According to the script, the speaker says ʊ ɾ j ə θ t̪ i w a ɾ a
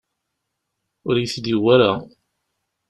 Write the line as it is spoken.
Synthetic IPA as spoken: ʊ ɾ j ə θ d̪ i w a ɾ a

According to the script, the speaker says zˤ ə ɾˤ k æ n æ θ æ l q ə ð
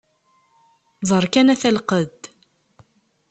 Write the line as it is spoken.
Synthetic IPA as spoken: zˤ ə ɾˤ k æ n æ θ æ l q ə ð

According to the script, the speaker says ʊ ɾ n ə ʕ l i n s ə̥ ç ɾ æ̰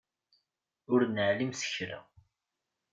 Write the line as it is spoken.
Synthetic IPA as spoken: ʊ ɾ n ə ʕ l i m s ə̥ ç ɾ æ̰

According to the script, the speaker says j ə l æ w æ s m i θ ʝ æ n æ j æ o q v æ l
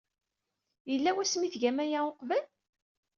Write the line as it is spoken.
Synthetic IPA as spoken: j ə lː æ w æ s m i θ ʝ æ m æ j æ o q v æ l

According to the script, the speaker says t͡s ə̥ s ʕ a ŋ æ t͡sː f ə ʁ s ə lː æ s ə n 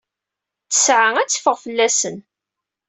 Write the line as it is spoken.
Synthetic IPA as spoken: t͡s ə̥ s ʕ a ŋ æ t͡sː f ə ʁ f ə lː æ s ə n

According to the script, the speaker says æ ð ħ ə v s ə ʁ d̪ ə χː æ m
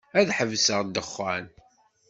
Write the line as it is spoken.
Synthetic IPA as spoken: æ ð ħ ə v s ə ʁ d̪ ə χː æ n

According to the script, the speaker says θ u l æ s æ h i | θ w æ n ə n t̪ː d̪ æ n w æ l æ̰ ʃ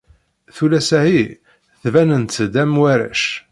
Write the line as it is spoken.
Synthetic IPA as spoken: θ u l æ s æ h i | θ v æ n ə n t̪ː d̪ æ m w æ ɾ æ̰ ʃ

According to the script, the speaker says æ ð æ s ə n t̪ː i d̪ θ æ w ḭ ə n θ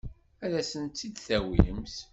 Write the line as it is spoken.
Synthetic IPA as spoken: æ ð æ s ə n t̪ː i d̪ θ æ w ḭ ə m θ

